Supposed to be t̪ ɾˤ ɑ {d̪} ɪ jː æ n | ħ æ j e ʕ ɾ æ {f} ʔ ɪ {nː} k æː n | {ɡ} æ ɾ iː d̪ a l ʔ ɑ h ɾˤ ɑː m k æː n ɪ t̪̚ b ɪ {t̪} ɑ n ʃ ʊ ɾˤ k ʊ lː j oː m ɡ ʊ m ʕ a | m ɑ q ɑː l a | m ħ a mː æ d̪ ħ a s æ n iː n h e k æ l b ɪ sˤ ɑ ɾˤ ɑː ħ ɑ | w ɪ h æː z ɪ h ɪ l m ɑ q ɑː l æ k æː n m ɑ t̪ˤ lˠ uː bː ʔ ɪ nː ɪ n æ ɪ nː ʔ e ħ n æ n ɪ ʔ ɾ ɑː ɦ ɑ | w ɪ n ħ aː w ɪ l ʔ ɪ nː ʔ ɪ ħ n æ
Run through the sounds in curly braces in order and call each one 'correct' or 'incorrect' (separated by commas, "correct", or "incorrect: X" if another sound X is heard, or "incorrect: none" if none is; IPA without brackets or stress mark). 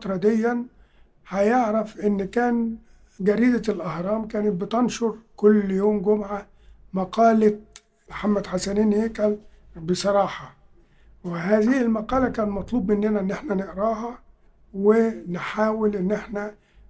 correct, correct, correct, correct, correct